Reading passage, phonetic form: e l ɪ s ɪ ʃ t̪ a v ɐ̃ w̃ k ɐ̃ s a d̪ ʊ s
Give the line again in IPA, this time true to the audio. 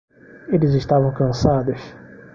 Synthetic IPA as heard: e l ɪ z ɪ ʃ t̪ a v ɐ̃ w̃ k ɐ̃ s a d̪ ʊ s